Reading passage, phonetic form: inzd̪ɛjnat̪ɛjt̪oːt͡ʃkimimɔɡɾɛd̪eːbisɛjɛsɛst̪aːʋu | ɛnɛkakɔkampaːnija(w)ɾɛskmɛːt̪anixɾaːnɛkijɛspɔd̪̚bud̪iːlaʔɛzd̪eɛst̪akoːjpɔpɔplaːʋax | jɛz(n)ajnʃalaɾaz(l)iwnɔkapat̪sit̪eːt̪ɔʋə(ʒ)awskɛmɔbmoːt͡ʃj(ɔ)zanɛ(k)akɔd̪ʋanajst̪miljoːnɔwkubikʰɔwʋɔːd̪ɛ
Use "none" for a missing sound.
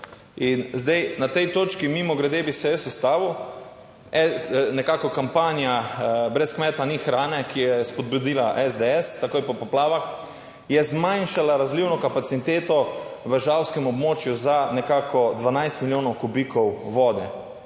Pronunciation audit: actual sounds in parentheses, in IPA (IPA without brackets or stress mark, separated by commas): b, m, l, ʒ, u, k